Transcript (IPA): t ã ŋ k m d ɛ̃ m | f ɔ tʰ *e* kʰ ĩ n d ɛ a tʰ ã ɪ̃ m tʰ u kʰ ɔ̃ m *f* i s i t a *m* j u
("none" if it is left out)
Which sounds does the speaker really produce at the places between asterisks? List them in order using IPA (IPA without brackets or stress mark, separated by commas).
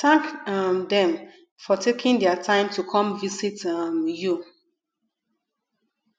e, v, m